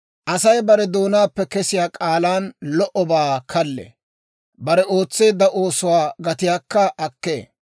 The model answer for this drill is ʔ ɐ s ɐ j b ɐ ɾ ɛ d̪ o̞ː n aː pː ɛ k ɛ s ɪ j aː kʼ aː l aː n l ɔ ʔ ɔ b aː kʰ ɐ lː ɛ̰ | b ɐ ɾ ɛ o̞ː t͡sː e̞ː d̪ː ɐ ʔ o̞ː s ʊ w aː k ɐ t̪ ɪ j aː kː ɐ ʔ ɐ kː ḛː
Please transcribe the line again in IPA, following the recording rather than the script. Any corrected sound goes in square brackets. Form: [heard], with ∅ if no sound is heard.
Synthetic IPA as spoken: ʔ ɐ s ɐ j b ɐ ɾ ɛ d̪ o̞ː n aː pː ɛ k ɛ s ɪ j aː kʼ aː l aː n l ɔ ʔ ɔ b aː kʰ ɐ lː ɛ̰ | b ɐ ɾ ɛ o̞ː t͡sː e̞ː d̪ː ɐ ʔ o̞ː s ʊ w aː [ɡ] ɐ t̪ ɪ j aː kː ɐ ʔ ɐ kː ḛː